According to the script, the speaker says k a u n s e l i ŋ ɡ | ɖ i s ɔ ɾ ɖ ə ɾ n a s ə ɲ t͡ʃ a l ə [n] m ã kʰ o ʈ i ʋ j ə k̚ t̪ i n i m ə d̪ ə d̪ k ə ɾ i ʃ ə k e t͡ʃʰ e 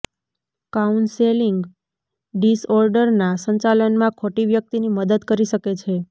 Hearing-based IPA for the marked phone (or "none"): n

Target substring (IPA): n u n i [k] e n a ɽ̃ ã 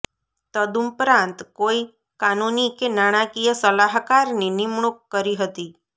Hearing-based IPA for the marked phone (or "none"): k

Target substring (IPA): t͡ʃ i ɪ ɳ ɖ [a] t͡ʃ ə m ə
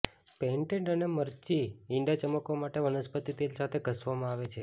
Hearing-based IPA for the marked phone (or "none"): a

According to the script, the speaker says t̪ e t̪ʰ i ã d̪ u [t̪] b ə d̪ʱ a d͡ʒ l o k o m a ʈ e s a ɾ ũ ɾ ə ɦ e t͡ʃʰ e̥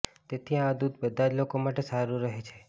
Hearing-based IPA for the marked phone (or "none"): d̪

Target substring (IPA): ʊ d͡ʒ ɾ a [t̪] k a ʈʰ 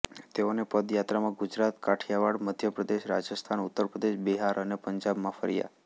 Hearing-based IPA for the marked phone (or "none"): t̪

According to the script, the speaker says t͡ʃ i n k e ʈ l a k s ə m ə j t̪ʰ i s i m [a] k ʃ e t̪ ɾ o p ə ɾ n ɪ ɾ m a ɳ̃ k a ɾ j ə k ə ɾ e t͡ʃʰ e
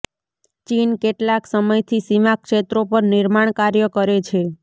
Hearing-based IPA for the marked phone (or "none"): a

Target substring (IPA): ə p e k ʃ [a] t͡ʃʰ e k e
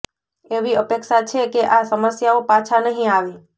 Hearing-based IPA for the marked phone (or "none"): a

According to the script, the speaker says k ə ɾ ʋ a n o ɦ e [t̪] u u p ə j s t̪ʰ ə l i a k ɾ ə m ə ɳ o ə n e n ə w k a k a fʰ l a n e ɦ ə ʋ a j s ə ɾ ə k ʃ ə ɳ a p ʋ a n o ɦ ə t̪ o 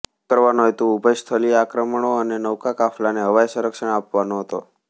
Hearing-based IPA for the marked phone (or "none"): t̪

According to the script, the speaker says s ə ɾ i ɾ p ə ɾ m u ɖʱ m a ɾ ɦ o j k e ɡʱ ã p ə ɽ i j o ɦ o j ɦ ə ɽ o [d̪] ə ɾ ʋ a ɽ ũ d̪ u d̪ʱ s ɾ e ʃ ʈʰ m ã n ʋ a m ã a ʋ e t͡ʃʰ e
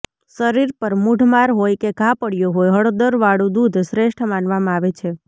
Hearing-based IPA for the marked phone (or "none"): d̪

